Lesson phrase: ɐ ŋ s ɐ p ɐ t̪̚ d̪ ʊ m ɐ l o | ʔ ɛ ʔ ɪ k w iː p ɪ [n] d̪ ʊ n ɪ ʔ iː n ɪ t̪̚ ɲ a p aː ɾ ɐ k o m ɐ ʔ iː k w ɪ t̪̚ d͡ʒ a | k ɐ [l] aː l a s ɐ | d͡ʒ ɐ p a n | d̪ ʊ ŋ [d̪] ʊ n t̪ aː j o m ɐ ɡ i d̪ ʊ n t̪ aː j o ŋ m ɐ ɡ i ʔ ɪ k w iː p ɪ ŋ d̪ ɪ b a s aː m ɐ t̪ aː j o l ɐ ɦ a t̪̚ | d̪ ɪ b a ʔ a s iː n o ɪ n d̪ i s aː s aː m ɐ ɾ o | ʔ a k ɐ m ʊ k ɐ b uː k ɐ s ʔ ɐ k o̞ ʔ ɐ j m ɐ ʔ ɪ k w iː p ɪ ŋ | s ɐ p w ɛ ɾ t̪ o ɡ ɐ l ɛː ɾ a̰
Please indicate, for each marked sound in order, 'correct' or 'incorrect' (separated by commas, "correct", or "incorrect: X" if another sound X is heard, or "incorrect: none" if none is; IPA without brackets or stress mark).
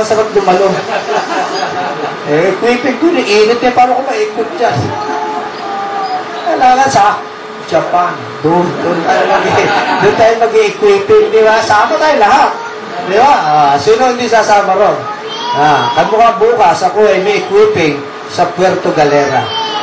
incorrect: ŋ, correct, correct